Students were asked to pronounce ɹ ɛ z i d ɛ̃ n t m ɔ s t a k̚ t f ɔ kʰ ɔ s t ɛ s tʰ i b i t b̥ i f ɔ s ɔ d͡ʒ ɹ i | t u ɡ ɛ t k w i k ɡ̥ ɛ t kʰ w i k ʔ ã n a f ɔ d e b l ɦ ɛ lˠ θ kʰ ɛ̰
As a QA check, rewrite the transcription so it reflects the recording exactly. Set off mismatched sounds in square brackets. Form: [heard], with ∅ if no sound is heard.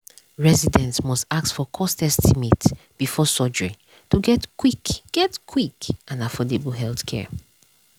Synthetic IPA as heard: ɹ ɛ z i d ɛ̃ n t m ɔ s t a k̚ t f ɔ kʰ ɔ s t ɛ s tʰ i [m] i t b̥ i f ɔ s ɔ d͡ʒ ɹ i | t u ɡ ɛ t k w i k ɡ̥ ɛ t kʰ w i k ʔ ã n a f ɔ d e b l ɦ ɛ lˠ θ kʰ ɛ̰